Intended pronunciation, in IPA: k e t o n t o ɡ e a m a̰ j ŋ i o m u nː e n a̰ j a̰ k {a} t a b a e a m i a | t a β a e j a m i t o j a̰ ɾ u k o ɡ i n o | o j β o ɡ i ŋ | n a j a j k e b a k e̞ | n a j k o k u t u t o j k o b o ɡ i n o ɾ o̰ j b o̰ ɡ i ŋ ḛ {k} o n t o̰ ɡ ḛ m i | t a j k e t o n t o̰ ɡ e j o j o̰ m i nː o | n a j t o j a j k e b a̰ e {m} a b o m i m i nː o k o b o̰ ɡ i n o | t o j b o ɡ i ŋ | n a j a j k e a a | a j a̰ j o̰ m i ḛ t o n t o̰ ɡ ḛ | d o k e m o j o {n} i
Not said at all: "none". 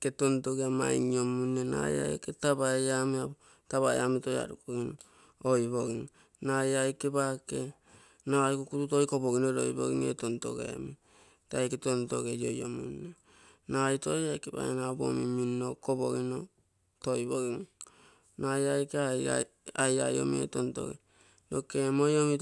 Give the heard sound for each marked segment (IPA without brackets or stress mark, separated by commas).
e, t, n, m